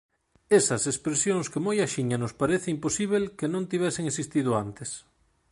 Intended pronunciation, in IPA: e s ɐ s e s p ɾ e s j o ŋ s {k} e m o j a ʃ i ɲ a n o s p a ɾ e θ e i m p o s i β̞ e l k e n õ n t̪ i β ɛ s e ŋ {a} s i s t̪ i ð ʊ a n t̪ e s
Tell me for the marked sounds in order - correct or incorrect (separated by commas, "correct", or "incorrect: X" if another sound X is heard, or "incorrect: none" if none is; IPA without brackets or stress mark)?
correct, incorrect: e